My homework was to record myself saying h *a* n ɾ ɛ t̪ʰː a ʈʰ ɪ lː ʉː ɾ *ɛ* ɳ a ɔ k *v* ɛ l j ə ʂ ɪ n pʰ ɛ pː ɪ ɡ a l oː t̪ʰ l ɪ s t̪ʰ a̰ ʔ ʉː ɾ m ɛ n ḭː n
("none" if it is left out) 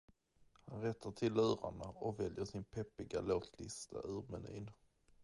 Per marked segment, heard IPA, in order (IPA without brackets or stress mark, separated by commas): a, a, v